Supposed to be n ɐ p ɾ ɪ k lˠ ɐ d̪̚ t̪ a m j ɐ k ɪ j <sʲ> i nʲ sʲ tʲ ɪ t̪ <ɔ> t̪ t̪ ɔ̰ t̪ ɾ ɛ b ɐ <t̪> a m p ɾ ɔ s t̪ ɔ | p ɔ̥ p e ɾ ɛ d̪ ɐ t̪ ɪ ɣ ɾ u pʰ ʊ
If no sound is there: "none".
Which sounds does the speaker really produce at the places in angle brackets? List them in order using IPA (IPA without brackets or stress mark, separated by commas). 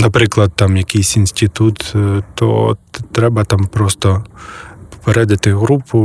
sʲ, u, t̪